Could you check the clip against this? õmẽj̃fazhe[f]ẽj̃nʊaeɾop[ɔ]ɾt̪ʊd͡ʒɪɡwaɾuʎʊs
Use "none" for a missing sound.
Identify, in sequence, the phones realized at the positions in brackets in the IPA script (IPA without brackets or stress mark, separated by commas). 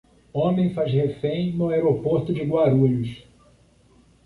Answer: f, o